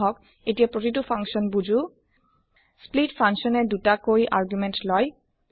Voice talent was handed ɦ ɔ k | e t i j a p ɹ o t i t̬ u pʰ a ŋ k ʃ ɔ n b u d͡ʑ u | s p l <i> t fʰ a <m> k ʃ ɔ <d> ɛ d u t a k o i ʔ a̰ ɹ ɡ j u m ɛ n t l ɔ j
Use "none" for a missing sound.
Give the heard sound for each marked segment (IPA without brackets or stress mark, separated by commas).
i, ŋ, n